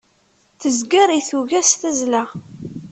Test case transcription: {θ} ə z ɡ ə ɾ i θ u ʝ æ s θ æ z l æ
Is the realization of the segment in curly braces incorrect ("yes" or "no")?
no